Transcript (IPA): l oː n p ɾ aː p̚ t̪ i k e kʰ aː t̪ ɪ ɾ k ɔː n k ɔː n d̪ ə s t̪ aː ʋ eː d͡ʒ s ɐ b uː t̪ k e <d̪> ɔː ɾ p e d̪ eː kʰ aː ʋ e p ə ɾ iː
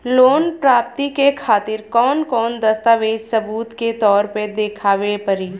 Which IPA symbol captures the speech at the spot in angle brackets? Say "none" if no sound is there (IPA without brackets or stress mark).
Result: t̪